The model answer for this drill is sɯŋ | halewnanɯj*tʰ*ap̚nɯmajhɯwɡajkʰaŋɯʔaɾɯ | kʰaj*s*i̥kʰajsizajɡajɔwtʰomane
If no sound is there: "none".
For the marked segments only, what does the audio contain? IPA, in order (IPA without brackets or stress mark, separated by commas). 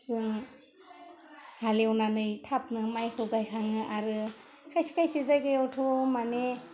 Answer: tʰ, s